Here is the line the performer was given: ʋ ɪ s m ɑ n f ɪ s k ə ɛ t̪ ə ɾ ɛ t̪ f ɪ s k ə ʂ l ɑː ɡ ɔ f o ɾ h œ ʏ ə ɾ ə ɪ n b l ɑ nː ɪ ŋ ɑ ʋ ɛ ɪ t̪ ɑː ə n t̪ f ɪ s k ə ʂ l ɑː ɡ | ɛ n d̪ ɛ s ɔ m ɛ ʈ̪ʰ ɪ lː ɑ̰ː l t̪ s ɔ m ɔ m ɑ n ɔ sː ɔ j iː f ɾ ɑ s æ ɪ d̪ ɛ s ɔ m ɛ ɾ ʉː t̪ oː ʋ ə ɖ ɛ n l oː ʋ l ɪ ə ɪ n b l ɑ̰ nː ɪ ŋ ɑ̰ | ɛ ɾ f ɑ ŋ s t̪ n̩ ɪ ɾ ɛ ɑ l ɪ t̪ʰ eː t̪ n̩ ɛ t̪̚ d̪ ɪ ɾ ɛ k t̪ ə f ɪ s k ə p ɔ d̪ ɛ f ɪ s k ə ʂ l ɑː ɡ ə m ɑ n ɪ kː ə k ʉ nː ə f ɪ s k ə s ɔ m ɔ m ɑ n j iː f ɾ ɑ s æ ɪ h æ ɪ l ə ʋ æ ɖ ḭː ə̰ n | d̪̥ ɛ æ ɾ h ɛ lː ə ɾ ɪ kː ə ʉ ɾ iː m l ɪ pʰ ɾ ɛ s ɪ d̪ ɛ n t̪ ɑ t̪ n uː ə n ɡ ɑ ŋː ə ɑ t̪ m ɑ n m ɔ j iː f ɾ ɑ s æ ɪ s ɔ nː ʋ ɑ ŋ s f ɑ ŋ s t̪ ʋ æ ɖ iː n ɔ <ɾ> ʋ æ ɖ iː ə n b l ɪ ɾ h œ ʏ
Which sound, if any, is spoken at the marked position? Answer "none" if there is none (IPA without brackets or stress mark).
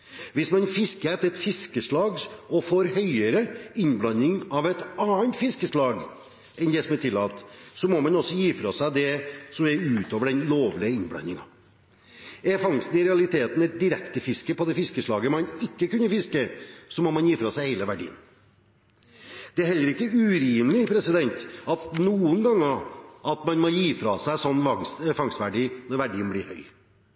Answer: ɾ